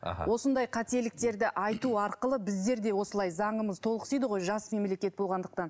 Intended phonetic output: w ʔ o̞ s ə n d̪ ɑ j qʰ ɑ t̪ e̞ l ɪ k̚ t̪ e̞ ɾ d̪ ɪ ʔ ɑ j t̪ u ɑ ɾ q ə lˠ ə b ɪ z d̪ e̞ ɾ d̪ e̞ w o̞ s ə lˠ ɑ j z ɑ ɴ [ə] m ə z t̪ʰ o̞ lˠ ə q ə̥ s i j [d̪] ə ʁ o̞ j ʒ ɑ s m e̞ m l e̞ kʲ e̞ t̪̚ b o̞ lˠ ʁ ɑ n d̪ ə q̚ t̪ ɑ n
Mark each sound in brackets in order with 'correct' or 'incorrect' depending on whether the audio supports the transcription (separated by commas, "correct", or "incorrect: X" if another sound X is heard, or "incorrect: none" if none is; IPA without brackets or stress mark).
correct, correct